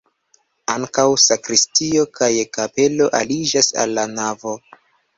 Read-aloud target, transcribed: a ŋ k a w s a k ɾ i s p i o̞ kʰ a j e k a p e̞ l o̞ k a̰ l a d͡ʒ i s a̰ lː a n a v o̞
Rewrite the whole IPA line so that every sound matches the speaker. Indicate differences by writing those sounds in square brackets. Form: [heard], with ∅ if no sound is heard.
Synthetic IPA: a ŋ k a w s a k ɾ i s [t] i o̞ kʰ a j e k a p e̞ l o̞ [ʔ] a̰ l [i] d͡ʒ [a] s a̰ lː a n a v o̞